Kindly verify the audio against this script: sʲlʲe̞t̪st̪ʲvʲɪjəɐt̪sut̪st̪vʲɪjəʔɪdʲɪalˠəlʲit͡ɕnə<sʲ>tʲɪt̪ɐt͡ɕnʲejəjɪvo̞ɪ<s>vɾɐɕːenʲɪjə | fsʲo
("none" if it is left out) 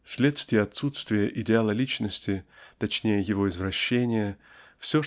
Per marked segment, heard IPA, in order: sʲ, z

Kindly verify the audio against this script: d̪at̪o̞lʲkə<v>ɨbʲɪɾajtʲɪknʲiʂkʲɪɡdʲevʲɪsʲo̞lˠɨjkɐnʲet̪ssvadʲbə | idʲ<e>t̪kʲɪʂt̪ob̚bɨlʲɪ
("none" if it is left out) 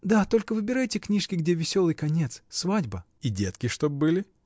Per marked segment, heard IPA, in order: v, e

